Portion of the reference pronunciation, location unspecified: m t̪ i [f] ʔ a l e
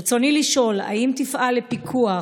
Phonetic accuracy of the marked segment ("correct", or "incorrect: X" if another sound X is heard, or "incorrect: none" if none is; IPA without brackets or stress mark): correct